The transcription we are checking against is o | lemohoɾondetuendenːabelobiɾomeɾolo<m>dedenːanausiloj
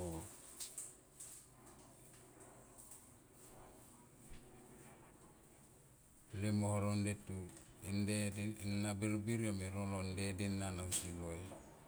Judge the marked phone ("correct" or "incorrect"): incorrect